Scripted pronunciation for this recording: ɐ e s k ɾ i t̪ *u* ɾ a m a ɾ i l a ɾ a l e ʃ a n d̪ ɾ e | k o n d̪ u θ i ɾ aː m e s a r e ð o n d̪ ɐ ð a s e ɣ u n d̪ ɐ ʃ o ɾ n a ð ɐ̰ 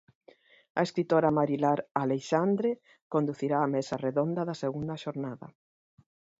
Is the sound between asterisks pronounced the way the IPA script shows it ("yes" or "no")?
no